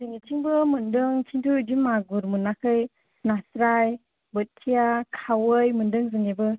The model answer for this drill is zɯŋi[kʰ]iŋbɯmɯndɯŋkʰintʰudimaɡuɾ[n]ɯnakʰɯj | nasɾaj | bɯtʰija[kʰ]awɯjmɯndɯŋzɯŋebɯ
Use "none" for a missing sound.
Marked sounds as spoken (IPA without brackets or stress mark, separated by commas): tʰ, m, kʰ